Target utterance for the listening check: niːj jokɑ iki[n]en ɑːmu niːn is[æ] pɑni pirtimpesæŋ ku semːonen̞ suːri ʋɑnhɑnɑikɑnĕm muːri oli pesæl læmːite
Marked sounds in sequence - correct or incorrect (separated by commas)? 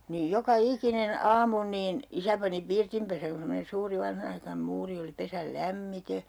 correct, correct